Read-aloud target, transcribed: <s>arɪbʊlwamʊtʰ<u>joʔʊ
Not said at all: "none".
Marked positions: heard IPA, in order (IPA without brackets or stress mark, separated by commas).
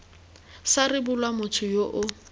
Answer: s, ʊ